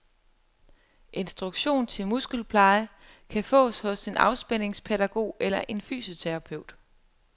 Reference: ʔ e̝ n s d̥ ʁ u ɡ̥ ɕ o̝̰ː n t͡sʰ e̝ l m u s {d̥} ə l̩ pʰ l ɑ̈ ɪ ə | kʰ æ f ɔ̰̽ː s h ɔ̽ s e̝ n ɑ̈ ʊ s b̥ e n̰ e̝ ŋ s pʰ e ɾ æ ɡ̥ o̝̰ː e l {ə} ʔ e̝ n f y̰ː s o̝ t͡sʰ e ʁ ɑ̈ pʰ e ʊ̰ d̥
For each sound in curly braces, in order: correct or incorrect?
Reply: incorrect: ɡ̥, incorrect: ɐ

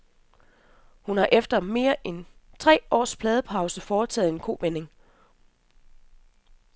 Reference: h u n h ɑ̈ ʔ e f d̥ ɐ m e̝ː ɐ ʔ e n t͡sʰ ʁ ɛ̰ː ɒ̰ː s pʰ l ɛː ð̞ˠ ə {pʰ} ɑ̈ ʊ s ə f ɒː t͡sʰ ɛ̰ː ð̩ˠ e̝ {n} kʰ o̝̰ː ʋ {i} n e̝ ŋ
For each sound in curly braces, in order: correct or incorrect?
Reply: correct, correct, incorrect: e

